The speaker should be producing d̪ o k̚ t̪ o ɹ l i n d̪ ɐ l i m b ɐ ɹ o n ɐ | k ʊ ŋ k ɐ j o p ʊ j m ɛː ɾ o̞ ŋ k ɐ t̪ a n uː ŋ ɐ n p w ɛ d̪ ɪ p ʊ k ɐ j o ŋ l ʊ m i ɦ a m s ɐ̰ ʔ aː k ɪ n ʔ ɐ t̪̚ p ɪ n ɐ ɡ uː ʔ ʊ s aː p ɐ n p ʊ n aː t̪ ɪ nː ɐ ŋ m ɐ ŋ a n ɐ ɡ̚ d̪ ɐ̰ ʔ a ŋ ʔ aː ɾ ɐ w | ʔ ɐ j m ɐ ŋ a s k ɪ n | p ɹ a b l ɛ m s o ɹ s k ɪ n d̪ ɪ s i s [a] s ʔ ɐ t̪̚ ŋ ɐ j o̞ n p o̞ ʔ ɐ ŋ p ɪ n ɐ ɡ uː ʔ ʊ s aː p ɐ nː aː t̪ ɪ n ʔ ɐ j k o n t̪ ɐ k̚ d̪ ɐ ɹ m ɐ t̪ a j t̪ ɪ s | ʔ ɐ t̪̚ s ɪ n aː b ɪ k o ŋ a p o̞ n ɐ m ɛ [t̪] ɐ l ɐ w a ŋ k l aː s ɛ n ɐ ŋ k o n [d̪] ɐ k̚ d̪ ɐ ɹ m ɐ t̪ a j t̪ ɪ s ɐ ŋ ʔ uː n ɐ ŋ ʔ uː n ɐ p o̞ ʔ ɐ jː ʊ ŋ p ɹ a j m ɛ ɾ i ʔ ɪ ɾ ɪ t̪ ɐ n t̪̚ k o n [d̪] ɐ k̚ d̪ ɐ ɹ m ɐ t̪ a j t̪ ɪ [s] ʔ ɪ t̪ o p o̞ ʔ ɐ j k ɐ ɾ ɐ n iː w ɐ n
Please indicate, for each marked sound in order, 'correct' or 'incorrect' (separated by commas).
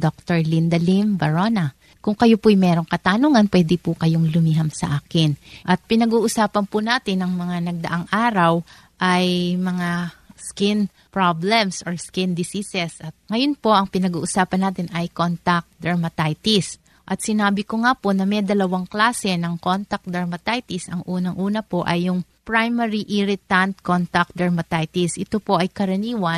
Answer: incorrect, incorrect, incorrect, incorrect, correct